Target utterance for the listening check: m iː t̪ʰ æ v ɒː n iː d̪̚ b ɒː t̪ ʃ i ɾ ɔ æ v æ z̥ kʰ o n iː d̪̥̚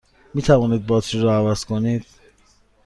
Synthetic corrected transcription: m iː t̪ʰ æ v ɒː n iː d̪̚ b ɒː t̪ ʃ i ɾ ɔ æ v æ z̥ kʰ o n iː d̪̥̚